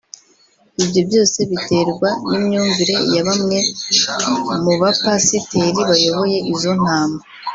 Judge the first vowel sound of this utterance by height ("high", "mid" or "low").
high